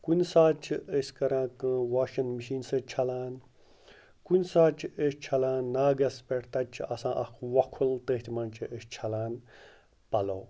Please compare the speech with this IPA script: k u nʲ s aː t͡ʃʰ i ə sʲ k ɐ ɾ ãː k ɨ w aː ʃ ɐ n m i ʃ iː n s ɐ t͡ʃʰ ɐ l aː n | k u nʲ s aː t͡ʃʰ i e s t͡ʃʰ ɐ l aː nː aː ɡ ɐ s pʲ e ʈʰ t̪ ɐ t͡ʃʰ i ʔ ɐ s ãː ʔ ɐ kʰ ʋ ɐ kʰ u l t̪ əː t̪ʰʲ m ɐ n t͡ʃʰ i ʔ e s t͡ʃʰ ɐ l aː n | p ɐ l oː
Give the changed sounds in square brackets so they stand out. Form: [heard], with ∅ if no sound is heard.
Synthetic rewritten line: k u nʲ s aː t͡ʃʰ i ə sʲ k ɐ ɾ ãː k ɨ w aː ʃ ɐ n m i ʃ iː n s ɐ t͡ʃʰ ɐ l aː n | k u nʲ s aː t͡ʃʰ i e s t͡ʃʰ ɐ l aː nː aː ɡ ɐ s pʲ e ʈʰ t̪ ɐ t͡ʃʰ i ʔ ɐ s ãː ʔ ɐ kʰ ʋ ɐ kʰ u l t̪ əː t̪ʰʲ m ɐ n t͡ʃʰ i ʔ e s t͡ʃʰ ɐ l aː n | p ɐ l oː